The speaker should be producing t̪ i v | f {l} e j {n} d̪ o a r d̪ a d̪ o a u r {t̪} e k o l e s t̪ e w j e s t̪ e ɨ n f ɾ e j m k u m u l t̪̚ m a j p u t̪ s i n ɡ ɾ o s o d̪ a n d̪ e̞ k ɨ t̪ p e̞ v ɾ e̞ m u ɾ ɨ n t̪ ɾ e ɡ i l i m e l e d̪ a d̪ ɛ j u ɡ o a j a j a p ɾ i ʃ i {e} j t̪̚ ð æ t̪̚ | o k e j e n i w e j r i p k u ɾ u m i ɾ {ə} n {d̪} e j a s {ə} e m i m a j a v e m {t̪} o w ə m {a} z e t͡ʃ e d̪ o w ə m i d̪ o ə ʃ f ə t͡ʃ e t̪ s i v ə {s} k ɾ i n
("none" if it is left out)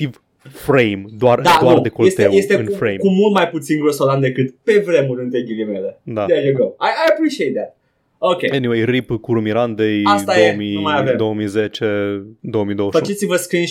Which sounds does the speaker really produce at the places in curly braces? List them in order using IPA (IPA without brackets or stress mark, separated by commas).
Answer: ɾ, m, d̪, e, a, d̪, a, d̪, i, s